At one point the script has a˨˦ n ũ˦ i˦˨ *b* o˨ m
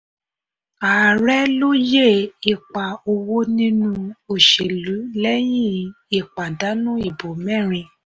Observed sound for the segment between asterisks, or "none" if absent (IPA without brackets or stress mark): b